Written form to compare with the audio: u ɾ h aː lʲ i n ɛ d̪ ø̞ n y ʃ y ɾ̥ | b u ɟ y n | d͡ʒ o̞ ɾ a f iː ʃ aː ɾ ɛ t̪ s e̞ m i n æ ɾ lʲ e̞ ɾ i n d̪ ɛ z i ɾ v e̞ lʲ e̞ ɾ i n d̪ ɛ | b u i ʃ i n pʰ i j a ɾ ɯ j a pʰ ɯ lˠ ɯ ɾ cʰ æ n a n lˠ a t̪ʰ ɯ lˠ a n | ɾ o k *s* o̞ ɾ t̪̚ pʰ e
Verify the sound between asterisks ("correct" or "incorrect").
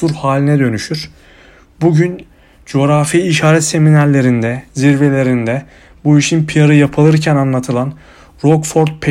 incorrect